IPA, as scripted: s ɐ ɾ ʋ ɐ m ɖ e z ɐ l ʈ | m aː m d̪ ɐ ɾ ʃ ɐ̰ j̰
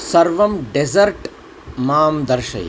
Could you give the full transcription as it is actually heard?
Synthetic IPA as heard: s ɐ ɾ ʋ ɐ m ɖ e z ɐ ɾ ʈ | m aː m d̪ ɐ ɾ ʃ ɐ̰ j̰